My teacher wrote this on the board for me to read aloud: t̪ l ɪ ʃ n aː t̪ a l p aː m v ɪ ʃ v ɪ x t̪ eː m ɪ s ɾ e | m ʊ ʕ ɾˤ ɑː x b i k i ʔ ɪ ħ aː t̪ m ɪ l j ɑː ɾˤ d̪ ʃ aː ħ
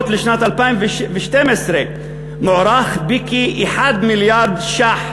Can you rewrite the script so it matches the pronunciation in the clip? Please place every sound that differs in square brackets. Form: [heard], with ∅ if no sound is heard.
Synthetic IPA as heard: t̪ l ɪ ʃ n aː t̪ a l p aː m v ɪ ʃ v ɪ [ʃ] t̪ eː m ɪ s ɾ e | m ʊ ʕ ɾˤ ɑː x b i k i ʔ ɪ ħ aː [d̪] m ɪ l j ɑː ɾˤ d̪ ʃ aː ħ